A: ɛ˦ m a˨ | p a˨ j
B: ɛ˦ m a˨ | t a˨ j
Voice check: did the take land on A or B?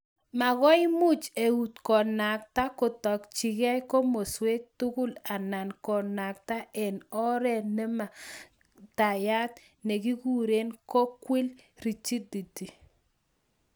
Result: B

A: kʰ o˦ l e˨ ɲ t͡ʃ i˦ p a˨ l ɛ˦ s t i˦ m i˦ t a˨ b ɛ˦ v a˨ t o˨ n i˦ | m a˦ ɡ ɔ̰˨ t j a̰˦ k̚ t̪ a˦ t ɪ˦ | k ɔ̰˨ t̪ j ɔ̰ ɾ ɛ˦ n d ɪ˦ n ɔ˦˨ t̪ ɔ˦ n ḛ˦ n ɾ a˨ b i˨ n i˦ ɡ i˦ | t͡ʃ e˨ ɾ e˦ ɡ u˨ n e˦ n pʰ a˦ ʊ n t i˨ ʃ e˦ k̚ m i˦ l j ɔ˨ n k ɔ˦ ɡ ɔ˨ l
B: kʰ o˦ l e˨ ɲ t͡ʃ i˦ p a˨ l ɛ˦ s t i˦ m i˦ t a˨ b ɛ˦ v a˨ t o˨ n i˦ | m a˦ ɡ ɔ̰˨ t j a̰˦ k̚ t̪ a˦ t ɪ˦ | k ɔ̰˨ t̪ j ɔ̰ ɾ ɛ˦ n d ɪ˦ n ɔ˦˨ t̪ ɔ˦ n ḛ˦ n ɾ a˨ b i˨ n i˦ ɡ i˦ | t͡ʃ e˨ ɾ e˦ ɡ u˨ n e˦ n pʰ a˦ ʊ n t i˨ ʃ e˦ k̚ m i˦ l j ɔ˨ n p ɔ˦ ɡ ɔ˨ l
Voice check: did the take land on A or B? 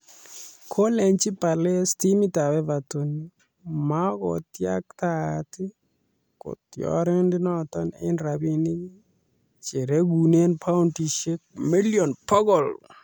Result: B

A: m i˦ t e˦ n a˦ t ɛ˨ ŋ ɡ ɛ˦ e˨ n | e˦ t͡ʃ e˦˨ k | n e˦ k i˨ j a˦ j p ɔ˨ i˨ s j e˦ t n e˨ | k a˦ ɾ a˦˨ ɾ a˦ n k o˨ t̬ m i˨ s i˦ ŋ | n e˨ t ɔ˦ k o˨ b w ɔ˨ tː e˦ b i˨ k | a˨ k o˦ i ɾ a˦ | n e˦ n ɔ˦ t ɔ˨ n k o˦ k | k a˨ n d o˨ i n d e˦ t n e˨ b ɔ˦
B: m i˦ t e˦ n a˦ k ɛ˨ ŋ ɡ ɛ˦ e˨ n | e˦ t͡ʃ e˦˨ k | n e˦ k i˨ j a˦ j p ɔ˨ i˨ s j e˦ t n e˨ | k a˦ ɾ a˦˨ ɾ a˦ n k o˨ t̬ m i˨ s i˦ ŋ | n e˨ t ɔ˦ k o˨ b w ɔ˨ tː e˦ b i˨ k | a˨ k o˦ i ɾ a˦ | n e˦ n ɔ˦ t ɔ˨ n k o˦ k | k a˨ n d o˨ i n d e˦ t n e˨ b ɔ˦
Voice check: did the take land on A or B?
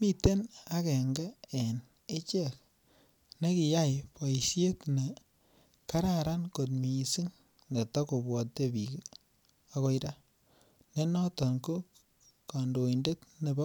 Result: B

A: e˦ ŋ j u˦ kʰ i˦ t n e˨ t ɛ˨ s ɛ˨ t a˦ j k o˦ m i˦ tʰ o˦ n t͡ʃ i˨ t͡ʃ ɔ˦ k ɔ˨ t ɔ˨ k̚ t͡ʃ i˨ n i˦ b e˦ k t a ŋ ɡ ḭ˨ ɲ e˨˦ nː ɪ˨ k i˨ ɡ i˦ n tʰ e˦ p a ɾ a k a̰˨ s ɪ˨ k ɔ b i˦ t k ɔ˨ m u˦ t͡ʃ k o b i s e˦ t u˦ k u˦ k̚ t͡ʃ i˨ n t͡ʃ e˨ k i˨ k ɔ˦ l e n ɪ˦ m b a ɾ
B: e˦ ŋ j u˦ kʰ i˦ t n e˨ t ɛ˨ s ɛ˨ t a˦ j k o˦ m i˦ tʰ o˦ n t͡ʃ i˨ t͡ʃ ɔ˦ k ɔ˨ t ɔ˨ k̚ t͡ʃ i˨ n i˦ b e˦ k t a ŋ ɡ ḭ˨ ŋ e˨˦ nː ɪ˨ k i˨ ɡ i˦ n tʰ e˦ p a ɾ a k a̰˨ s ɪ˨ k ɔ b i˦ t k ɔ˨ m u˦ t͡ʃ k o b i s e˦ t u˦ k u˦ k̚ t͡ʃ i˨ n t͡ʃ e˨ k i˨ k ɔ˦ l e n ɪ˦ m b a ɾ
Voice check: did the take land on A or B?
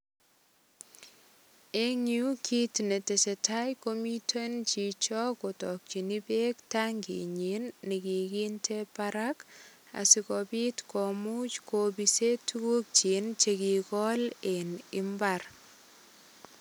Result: A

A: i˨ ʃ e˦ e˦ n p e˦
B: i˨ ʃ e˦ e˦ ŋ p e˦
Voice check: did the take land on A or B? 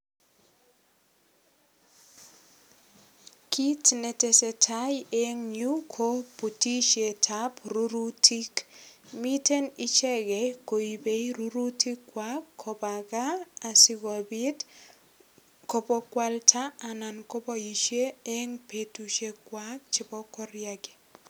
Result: B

